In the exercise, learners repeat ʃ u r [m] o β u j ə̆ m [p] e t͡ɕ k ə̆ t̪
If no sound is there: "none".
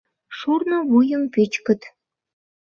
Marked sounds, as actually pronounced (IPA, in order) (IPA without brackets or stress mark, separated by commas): n, p